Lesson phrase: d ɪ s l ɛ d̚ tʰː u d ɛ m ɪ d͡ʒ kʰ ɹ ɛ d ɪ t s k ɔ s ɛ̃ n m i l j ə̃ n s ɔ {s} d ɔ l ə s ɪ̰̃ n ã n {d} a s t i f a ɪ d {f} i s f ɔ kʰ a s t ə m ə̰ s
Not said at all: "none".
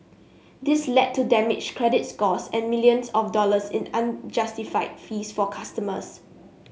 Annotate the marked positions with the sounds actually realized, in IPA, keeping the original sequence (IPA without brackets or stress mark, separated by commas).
f, d͡ʒ, f